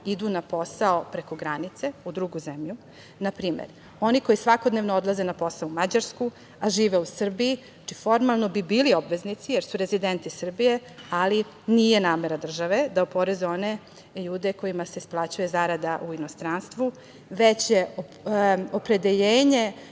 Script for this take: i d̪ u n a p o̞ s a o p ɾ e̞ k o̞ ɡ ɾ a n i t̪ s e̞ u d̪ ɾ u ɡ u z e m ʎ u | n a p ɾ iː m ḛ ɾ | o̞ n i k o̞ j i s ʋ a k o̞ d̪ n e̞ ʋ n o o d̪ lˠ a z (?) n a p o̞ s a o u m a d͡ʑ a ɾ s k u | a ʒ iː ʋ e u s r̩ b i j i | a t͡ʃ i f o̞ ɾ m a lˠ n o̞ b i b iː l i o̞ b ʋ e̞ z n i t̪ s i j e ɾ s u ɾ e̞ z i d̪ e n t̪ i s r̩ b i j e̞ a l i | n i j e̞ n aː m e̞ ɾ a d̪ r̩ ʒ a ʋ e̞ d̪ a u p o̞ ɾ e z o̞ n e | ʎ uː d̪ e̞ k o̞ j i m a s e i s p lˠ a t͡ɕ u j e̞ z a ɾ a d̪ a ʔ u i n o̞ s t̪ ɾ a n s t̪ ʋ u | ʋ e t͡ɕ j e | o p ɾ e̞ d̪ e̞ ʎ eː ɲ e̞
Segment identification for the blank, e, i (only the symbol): e